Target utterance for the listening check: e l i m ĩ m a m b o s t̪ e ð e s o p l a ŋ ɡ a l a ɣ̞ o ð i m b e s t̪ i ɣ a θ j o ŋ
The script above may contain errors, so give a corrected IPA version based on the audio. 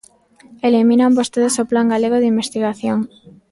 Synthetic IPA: e l i m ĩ n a m b o s t̪ e ð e s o p l a ŋ ɡ a l e ɣ̞ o ð i m b e s t̪ i ɣ a θ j o ŋ